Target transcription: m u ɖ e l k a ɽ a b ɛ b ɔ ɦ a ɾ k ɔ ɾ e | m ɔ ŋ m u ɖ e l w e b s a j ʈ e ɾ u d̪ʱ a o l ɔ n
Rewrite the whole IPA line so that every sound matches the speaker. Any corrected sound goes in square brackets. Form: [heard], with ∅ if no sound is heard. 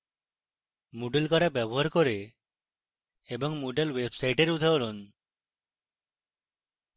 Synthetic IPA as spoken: m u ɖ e l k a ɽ a b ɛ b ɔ ɦ a ɾ k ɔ ɾ e | [b] ɔ ŋ m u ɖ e l w e b s a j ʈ e ɾ u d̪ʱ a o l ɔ n